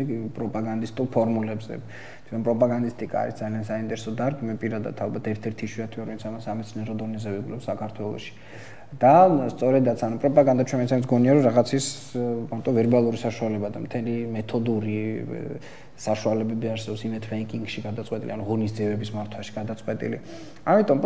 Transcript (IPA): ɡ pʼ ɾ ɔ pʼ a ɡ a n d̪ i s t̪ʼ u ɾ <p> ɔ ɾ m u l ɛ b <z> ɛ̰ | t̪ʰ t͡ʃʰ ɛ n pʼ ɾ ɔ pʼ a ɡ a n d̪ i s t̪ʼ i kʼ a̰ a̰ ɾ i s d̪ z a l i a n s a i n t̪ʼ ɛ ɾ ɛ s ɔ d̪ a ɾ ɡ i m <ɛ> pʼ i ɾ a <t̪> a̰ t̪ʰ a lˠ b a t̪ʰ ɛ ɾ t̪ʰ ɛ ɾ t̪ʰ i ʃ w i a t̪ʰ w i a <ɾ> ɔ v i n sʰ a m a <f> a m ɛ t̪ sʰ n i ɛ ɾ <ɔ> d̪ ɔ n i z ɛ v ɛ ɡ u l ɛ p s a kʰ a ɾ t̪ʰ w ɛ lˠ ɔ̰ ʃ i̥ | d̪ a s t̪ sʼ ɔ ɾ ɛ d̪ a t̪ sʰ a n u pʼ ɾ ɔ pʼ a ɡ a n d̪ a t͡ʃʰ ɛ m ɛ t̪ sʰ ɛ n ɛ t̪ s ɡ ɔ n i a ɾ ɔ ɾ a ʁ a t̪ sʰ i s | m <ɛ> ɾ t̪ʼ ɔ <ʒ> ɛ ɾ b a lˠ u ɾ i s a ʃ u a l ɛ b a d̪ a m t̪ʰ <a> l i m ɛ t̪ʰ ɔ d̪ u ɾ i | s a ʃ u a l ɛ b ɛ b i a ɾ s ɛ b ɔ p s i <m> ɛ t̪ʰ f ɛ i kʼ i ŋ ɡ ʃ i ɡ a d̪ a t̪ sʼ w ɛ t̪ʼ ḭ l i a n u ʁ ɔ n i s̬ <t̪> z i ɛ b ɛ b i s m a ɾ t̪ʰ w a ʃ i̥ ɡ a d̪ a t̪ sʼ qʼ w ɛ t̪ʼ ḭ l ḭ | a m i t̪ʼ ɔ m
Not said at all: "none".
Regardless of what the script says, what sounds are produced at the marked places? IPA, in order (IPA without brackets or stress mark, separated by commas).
pʰ, z, ɛ, d̪, ɾ, s, ɔ, a, v, ɛ, m, d̪